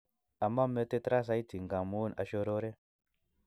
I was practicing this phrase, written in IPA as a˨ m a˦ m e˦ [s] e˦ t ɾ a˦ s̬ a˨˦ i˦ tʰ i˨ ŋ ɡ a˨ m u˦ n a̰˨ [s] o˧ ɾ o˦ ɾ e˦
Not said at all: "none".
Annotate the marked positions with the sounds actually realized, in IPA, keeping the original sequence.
t, ʃ

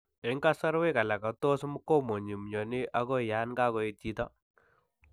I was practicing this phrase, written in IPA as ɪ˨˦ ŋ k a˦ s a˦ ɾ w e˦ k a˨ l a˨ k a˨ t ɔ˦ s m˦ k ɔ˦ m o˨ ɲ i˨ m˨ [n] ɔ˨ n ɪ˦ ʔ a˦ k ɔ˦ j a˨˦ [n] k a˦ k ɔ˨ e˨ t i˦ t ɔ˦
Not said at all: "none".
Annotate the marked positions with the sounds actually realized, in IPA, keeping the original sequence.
ɲ, n

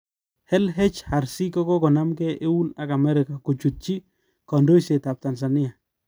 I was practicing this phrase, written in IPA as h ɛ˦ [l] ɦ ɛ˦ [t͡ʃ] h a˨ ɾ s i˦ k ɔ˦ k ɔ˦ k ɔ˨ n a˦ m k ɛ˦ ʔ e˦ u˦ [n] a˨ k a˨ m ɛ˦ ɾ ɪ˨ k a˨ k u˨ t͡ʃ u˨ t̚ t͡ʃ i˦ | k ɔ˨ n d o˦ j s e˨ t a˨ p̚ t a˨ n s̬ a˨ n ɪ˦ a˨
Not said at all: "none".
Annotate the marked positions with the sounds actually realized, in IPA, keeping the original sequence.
l, t͡ʃ, n

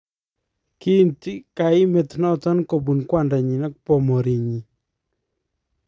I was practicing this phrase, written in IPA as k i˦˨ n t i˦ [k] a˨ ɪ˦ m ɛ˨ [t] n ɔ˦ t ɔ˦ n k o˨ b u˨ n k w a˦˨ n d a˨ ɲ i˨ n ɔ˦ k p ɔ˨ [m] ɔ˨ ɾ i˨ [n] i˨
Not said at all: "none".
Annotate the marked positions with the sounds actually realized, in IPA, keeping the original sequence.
k, t, m, ɲ

